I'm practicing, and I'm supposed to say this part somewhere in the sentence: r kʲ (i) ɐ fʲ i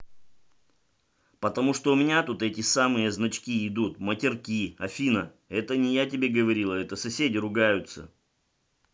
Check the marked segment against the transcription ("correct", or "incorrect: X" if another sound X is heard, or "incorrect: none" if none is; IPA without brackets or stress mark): correct